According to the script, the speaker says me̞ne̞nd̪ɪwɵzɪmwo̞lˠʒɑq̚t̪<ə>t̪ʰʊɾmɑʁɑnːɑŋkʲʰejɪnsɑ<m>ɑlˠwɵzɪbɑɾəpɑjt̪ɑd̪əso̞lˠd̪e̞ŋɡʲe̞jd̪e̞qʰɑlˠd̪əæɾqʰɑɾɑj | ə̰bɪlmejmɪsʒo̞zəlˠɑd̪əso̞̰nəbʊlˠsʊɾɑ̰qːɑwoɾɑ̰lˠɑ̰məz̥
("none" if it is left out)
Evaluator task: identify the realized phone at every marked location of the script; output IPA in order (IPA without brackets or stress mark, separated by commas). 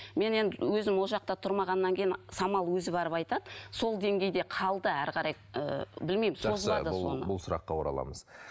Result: ɑ, m